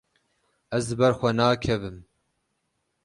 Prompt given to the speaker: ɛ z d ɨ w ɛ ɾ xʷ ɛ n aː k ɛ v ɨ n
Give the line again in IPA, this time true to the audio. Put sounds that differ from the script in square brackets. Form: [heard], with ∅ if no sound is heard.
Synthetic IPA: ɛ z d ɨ [b] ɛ ɾ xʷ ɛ n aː [kʰ] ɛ v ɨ [m]